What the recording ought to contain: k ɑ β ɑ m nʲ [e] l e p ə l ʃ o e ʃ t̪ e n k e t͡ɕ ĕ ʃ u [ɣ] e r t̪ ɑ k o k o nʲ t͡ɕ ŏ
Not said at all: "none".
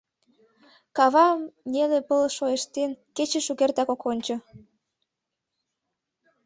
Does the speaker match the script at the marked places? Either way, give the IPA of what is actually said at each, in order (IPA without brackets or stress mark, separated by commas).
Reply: e, ɣ